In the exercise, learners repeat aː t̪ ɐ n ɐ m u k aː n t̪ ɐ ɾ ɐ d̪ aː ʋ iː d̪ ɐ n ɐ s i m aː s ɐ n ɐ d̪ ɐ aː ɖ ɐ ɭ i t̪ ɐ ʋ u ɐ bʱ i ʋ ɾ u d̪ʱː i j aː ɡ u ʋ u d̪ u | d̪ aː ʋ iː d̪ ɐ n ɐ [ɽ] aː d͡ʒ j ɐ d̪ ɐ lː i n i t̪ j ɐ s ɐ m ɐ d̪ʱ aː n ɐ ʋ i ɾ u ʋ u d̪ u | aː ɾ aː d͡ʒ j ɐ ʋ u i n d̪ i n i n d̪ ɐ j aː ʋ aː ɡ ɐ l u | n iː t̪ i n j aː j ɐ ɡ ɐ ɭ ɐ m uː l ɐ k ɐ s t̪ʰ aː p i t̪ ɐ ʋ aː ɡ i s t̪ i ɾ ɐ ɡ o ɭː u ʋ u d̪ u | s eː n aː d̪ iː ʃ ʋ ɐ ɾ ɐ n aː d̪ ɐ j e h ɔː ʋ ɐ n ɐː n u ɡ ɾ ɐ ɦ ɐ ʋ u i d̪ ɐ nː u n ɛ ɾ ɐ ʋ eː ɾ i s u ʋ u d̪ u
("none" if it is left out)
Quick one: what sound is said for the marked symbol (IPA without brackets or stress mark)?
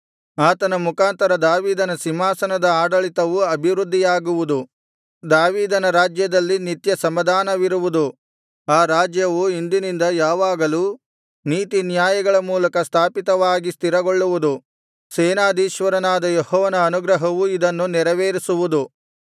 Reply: ɾ